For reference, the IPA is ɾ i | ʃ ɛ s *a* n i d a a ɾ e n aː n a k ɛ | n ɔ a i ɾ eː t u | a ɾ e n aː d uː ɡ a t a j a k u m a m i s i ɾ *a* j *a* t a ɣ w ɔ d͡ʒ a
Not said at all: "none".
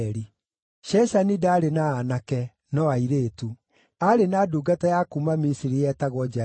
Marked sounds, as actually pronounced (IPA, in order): a, i, ɛ

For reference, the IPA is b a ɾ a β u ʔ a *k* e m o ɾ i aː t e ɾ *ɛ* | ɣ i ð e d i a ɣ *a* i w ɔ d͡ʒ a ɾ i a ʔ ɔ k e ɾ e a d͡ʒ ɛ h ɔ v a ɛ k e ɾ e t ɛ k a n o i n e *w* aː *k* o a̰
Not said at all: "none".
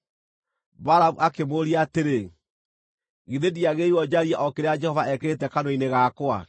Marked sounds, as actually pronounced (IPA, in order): k, e, e, ɣ, k

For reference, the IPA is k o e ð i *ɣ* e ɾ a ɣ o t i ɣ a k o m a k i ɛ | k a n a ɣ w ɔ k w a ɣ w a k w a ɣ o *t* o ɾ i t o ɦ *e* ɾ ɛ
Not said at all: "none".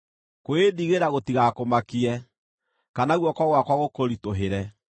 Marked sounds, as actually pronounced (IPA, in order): ɣ, k, e

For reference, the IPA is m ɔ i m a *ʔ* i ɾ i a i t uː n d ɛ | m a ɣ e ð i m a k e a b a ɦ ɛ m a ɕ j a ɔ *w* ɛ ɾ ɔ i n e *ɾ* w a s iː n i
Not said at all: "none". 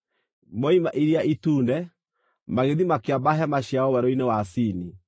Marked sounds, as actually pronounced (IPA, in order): ʔ, w, none

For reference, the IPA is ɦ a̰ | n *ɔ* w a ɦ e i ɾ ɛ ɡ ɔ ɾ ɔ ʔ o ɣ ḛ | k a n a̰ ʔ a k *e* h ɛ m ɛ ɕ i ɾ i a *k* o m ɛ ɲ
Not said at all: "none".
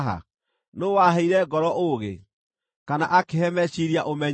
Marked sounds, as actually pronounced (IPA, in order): o, e, ʔ

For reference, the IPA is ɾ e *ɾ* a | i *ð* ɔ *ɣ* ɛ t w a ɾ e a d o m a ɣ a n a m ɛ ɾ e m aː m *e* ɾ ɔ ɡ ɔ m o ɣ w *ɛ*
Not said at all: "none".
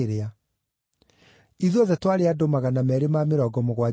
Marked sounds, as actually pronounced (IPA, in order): none, ð, ð, e, a

